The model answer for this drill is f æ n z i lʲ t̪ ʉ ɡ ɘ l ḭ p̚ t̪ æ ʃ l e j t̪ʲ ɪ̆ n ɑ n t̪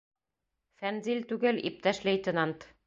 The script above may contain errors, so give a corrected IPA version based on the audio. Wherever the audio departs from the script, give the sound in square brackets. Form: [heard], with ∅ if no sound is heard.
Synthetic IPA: f æ n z i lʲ t̪ ʉ ɡ ɘ l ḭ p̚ t̪ æ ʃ l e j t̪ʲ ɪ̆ n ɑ n t̪